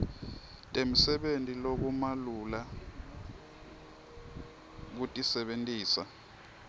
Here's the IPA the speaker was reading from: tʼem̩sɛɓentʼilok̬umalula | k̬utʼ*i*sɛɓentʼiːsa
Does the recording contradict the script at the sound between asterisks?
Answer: no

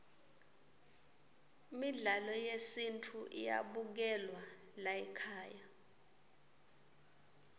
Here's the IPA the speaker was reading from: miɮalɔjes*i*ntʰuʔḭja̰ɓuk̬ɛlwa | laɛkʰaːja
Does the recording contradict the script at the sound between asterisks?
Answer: no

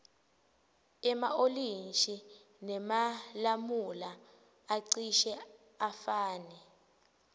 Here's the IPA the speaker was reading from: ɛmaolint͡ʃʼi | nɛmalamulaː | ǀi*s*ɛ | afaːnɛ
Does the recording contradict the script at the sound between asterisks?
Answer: yes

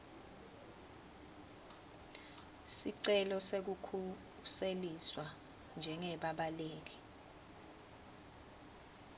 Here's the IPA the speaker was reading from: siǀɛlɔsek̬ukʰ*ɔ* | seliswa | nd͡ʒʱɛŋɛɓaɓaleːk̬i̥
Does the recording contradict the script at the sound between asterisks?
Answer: yes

